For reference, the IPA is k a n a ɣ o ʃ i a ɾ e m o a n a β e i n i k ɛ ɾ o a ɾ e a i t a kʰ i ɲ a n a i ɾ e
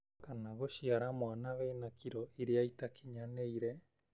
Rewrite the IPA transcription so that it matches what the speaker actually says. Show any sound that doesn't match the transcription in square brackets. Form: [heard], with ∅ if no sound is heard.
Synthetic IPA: k a n a ɣ o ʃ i a ɾ [a] m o a n a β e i n [a] k [i] ɾ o [i] ɾ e a i t a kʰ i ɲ a n [e] i ɾ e